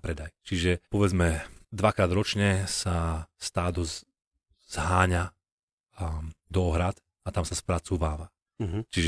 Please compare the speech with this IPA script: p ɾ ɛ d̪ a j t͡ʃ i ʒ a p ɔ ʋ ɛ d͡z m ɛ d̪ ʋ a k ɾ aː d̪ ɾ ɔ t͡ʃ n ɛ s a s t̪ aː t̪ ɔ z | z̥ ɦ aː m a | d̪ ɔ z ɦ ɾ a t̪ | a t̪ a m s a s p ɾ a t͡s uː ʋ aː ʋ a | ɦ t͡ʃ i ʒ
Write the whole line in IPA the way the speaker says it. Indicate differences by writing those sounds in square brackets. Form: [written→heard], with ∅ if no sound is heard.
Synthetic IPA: p ɾ ɛ d̪ a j t͡ʃ i ʒ [a→ɛ] p ɔ ʋ ɛ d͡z m ɛ d̪ ʋ a k ɾ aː d̪ ɾ ɔ t͡ʃ [n→ɲ] ɛ s a s t̪ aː [t̪→d̪] ɔ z | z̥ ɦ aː [m→ɲ] a | d̪ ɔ [z→∅] ɦ ɾ a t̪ | a t̪ a m s a s p ɾ a t͡s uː ʋ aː ʋ a | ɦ t͡ʃ i ʒ